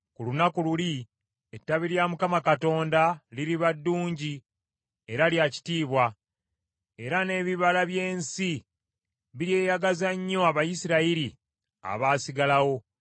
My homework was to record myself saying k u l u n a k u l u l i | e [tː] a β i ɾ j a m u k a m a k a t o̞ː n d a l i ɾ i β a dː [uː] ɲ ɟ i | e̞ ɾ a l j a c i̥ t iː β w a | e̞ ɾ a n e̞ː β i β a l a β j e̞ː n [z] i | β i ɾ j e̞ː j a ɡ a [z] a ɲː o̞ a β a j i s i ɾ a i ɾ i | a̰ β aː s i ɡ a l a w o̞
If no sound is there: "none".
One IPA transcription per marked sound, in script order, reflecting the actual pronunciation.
tː, uː, s, z

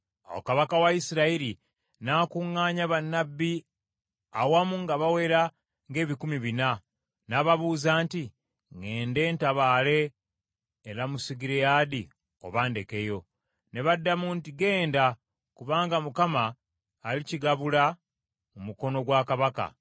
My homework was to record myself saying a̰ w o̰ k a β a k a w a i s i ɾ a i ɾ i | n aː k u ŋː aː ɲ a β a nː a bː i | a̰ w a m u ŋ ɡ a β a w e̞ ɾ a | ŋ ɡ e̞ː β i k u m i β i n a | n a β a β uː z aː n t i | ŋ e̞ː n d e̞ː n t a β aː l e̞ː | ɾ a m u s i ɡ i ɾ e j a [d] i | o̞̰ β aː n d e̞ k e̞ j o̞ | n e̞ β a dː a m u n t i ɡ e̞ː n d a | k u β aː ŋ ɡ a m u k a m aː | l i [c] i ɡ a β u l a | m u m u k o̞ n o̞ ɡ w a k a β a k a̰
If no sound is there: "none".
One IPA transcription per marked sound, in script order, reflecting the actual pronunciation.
d, c

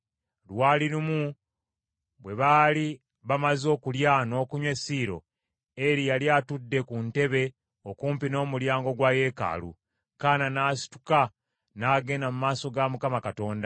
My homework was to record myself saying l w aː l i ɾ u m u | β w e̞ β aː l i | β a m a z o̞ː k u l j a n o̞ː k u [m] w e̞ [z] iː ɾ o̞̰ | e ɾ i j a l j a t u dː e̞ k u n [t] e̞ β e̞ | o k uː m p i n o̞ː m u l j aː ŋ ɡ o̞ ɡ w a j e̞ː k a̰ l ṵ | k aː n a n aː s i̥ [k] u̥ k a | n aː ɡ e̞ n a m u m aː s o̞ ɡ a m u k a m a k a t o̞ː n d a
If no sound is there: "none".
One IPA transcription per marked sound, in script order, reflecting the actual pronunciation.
ɲ, s, t, t

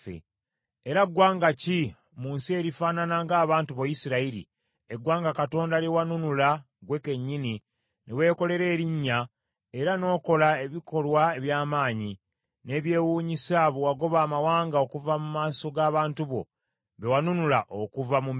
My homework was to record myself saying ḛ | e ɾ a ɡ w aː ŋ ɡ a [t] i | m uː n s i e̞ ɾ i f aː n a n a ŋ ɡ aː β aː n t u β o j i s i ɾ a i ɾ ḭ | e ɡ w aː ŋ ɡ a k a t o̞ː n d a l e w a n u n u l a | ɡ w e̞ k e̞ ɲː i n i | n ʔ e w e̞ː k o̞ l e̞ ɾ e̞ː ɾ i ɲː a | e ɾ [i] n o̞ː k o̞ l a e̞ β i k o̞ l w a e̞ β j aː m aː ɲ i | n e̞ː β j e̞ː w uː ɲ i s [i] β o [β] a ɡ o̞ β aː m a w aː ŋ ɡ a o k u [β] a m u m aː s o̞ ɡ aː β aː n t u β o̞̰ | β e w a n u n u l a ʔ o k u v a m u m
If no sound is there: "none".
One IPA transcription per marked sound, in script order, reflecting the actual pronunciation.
c, a, a, w, v

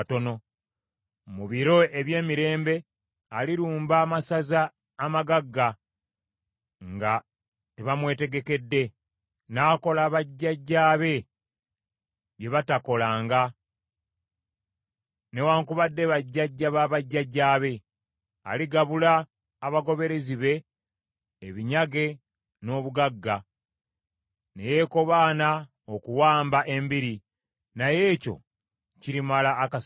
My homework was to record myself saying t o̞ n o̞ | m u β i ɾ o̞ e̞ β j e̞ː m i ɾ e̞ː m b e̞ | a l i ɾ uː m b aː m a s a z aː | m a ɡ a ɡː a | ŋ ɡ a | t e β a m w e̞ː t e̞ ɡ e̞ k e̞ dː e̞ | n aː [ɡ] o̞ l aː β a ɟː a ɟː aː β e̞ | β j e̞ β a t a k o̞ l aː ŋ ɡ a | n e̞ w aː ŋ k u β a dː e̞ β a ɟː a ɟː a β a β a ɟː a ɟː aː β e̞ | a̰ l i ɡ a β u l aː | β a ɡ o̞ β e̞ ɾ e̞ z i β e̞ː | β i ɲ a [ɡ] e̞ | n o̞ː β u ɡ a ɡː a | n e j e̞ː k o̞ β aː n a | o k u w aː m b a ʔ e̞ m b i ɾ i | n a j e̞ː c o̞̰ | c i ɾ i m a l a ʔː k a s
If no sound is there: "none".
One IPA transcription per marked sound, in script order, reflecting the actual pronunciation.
k, ɡ

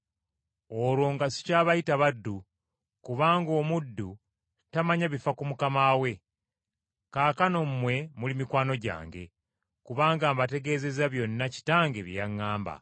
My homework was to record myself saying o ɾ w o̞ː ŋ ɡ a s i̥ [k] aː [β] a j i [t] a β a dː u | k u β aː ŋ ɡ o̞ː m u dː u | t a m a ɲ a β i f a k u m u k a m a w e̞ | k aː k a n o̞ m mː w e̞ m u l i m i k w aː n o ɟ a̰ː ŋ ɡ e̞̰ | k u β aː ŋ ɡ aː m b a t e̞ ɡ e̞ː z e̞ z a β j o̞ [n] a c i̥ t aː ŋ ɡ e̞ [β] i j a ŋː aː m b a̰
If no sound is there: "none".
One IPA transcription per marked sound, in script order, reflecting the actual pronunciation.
c, β, t, nː, β

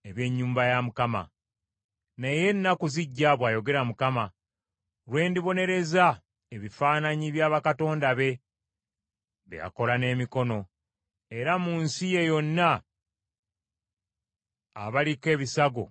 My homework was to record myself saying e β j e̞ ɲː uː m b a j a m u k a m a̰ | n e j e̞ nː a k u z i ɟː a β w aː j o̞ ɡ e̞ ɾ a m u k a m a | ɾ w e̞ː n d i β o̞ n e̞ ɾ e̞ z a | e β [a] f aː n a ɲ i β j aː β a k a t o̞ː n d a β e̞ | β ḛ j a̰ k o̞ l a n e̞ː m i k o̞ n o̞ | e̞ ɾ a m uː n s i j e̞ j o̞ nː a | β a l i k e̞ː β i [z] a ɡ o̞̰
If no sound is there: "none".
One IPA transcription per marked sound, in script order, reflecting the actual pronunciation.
i, s

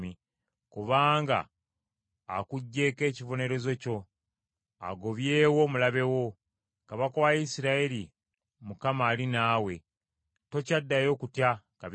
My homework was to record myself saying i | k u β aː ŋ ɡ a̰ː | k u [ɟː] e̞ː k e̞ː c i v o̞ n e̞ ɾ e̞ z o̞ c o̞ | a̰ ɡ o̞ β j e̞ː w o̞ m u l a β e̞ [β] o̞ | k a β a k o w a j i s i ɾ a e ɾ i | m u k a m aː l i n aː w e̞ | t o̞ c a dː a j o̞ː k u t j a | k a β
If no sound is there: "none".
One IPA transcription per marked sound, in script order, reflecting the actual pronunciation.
ɟː, w

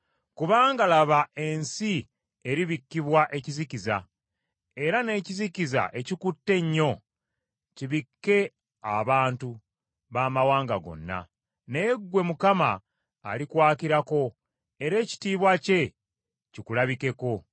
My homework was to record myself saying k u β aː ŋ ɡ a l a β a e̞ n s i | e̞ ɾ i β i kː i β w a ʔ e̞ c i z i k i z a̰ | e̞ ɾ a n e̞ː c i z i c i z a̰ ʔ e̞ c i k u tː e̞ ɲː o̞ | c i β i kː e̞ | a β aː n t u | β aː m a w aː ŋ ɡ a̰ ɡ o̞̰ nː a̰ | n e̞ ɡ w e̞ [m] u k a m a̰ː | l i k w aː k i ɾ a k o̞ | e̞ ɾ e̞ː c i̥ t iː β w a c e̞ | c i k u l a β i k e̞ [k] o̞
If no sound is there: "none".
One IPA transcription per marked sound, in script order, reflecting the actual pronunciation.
m, k

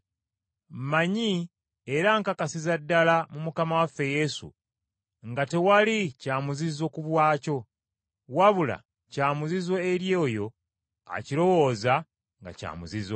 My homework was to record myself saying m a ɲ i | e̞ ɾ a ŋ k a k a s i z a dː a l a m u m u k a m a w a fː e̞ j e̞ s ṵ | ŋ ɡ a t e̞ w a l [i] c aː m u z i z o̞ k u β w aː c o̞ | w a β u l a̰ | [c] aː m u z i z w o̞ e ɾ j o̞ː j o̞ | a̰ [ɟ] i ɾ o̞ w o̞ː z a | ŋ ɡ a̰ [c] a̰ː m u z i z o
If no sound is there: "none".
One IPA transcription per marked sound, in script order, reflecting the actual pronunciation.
i, c, c, c

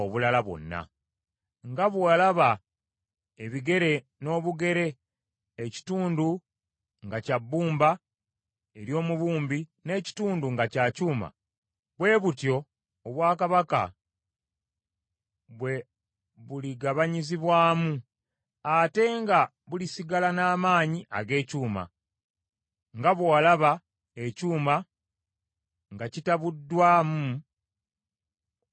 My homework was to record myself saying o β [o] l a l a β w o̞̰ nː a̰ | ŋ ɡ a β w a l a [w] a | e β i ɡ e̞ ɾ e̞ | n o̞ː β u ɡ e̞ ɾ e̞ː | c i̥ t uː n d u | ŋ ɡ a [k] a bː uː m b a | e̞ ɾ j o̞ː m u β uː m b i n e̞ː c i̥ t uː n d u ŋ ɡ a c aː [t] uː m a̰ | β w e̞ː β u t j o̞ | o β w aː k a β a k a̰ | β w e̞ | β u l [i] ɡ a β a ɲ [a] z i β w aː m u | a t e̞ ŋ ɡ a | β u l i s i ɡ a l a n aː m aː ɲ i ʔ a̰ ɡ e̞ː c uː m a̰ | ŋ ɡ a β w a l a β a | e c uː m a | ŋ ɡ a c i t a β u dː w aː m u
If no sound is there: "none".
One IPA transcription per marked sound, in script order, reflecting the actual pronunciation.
u, β, c, c, i, i

